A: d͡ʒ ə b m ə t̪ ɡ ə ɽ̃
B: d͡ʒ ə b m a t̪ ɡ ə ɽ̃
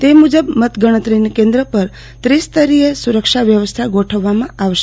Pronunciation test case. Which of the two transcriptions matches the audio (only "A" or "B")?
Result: A